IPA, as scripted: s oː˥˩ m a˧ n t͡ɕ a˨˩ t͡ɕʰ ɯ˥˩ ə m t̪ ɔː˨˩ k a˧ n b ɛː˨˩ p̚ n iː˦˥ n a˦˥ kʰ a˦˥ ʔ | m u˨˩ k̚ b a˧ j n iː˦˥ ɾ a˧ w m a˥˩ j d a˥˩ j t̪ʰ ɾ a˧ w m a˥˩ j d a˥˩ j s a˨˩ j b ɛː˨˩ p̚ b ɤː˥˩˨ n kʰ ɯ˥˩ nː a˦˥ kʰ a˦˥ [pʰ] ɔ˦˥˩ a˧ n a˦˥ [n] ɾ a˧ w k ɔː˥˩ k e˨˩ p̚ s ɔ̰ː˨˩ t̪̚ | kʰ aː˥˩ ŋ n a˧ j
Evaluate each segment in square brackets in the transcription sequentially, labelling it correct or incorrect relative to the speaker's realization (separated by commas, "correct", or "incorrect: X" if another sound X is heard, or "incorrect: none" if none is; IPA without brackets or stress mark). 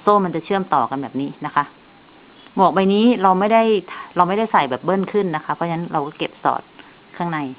correct, correct